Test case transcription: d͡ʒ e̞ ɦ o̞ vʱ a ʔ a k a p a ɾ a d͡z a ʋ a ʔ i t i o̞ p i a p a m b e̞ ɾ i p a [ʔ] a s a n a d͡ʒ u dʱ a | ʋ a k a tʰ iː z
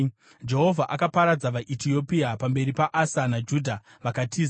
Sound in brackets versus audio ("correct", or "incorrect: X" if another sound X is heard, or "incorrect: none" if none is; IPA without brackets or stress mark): correct